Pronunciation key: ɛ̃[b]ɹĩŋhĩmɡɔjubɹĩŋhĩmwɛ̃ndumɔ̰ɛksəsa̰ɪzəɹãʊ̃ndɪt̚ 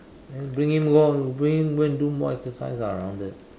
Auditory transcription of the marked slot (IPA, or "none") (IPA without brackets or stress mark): b